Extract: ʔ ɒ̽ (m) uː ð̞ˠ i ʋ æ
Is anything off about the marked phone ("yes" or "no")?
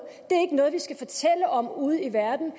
no